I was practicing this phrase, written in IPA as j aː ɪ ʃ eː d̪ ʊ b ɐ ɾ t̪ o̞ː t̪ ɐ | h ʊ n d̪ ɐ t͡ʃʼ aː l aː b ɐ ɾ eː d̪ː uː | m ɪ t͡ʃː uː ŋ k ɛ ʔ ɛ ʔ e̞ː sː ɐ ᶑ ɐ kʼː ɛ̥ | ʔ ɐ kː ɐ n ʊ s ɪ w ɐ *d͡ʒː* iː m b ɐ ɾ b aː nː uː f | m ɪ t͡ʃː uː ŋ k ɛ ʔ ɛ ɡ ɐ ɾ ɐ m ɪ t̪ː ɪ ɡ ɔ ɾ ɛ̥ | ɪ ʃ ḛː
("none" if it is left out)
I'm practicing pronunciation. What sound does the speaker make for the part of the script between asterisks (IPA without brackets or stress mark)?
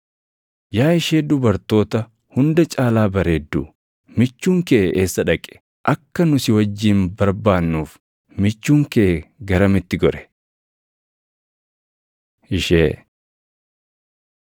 d͡ʒː